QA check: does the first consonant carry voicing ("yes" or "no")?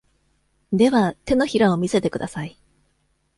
yes